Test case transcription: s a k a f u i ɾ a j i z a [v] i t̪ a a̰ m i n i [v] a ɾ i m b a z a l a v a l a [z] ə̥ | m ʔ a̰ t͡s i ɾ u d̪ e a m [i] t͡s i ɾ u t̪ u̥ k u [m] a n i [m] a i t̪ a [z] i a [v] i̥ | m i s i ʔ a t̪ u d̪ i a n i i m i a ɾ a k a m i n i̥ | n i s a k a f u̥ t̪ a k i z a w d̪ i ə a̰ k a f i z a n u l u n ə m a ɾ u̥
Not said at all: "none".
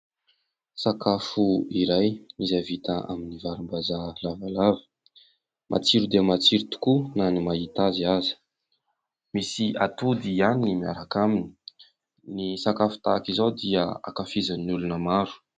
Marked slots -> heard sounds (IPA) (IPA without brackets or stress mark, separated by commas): v, v, v, a, n, m, z, z